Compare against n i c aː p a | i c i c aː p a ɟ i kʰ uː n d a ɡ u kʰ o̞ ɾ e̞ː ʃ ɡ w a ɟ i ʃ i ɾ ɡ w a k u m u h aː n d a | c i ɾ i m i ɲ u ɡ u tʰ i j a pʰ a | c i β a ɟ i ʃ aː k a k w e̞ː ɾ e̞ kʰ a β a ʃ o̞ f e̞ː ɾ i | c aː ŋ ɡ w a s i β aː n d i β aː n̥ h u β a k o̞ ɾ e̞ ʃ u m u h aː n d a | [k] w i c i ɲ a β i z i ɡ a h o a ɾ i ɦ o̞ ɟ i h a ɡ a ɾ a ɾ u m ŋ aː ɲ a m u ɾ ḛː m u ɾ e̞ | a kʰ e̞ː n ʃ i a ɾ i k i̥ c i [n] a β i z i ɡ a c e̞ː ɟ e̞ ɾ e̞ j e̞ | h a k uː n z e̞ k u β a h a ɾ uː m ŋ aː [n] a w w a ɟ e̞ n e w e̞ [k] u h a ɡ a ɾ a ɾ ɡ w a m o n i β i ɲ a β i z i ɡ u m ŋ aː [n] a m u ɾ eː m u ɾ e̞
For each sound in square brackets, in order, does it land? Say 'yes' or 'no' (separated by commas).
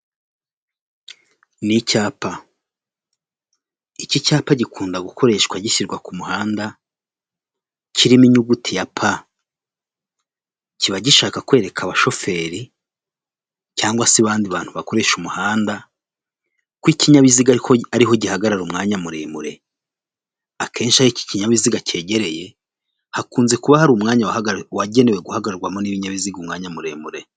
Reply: yes, no, no, no, no